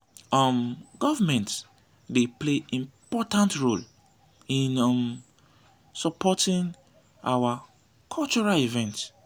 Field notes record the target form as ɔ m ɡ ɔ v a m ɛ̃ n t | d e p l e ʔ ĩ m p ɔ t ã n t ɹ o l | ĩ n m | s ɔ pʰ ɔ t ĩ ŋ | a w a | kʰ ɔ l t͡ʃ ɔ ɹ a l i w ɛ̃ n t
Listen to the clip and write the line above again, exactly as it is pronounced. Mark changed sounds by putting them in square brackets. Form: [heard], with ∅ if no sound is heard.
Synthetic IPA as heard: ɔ m ɡ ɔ v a m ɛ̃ n t | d e p l e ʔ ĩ m p ɔ t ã n t ɹ o l | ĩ n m | s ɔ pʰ ɔ t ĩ ŋ | a w a | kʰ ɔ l t͡ʃ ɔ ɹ a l i [v] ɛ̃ n t